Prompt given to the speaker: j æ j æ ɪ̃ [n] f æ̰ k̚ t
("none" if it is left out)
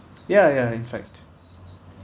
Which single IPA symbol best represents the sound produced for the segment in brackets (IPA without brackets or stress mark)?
n